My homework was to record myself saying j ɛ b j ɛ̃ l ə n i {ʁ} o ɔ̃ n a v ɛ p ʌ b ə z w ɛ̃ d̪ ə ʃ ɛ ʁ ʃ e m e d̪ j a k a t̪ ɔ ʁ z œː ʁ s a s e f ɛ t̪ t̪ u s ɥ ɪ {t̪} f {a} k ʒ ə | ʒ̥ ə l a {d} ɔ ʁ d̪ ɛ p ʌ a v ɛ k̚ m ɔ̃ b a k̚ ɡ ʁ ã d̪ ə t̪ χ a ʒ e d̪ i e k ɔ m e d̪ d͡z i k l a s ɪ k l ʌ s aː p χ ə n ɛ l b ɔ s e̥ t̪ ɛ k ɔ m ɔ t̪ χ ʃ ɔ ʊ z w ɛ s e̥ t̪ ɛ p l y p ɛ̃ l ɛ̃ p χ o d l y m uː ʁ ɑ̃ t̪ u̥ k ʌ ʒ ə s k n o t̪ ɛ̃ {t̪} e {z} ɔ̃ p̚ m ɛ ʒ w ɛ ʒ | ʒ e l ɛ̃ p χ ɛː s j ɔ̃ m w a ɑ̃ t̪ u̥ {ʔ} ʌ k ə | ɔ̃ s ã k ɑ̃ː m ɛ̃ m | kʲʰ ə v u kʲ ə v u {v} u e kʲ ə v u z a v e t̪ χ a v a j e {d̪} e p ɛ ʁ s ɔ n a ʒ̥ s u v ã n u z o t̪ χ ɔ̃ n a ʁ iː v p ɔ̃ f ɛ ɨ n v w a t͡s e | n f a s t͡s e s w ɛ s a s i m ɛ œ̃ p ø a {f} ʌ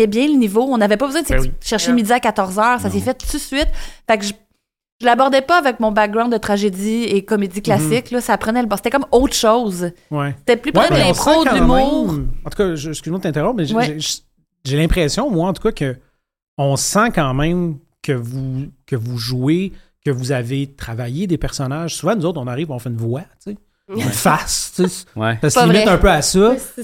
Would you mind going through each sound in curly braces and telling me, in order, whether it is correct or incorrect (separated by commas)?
incorrect, correct, correct, incorrect, correct, incorrect, incorrect, incorrect, correct, incorrect